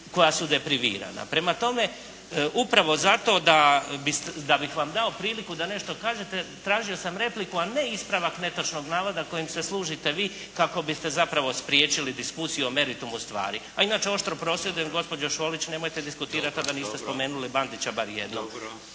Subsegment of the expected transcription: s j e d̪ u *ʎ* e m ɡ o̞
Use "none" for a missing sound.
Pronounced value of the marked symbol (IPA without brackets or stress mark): j